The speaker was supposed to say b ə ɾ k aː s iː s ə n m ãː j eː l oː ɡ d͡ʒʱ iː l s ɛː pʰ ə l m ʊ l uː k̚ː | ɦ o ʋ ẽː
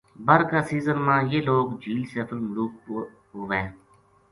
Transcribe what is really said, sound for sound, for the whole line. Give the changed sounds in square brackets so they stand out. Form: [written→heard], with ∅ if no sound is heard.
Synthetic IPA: b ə ɾ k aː s iː [s→z] ə n m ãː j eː l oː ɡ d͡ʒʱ iː l s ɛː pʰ ə l m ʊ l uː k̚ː | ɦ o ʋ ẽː